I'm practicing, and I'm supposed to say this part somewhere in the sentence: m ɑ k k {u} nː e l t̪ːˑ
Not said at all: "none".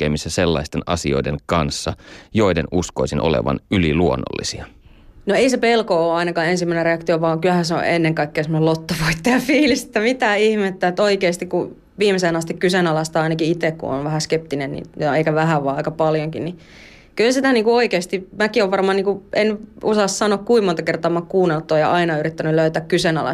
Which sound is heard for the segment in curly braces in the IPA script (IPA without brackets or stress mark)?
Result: uː